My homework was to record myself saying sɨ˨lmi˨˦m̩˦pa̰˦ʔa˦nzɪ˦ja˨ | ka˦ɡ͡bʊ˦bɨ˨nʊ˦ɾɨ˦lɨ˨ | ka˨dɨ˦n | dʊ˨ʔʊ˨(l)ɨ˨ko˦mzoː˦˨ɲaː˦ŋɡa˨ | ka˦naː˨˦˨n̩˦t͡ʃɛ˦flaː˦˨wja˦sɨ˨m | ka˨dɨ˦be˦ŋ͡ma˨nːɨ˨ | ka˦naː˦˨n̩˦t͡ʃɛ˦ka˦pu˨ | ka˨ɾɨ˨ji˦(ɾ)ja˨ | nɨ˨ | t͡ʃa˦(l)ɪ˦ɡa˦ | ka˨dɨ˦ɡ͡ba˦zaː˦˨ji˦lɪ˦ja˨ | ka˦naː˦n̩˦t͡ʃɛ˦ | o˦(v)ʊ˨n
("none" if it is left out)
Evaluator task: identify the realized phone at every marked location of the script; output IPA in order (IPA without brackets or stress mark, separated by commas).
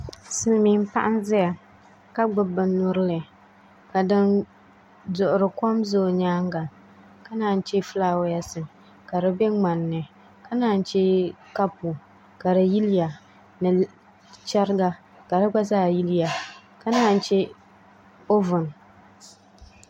ɾ, l, ɾ, v